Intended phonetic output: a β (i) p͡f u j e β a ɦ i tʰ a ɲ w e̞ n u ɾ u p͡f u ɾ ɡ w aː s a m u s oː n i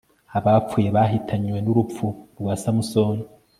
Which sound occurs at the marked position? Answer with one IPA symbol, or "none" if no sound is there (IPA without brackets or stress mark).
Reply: a